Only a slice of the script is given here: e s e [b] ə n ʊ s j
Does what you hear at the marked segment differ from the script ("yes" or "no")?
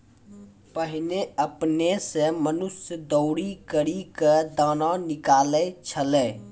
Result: yes